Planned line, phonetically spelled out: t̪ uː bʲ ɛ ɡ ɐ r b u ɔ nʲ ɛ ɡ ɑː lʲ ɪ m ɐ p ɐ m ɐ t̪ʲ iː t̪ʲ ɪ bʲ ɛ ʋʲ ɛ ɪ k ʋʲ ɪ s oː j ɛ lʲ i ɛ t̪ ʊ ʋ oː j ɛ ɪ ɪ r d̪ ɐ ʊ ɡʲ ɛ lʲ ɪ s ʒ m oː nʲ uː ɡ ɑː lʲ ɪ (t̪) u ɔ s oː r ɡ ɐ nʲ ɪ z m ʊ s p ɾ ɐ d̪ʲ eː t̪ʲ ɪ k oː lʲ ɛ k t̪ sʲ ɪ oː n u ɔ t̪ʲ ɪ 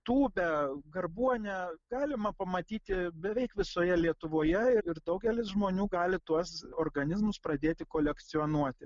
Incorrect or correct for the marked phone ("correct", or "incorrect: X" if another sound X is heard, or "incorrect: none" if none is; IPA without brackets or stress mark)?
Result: correct